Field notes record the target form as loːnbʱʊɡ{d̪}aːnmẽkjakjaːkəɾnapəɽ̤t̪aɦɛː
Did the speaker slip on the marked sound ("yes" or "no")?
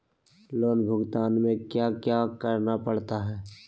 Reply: yes